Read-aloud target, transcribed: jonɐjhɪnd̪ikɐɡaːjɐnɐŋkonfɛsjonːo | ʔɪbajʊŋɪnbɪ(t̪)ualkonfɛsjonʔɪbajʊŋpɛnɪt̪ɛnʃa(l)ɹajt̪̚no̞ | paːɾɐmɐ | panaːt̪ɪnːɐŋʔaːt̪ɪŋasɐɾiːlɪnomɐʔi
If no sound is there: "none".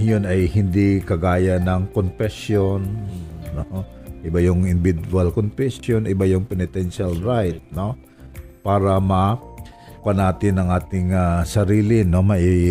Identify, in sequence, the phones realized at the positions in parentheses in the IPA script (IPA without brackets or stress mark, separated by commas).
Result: d̪, l